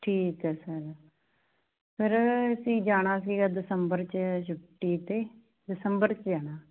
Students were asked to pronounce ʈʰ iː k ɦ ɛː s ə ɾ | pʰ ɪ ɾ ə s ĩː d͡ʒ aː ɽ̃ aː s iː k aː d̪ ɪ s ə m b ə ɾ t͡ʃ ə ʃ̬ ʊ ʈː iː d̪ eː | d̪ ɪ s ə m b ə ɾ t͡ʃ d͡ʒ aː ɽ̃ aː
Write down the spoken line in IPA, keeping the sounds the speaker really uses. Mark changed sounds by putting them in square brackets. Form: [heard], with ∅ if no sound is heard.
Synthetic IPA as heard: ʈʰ iː k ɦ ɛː s ə ɾ | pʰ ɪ ɾ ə s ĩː d͡ʒ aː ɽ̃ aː s iː [ɡ] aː d̪ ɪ s ə m b ə ɾ t͡ʃ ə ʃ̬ ʊ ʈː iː [t̪] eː | d̪ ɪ s ə m b ə ɾ t͡ʃ d͡ʒ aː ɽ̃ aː